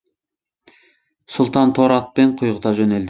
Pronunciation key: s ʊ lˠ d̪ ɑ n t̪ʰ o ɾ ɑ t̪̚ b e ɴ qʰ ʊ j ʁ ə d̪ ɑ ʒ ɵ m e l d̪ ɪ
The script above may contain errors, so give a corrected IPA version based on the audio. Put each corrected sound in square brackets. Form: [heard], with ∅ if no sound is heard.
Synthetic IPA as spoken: s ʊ lˠ [t̪] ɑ n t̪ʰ o ɾ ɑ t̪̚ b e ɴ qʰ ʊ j ʁ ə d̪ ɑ ʒ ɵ [n] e l d̪ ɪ